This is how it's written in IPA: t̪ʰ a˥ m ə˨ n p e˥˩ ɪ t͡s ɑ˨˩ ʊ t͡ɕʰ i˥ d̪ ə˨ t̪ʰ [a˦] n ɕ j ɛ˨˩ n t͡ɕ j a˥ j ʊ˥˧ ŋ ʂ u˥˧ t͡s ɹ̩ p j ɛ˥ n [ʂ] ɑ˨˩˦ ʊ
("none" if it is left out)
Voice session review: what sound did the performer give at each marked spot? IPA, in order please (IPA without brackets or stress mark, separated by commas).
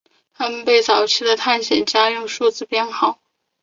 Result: a˥˩, x